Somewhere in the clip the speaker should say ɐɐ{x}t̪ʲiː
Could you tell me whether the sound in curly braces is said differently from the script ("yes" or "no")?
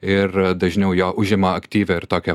yes